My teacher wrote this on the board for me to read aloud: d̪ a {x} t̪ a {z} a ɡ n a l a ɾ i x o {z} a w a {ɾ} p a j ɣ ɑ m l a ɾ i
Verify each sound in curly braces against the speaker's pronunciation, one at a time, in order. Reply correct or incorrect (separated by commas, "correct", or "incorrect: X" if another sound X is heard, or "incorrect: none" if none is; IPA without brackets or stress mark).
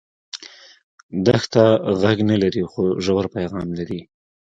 correct, incorrect: ɣ, incorrect: ʒ, correct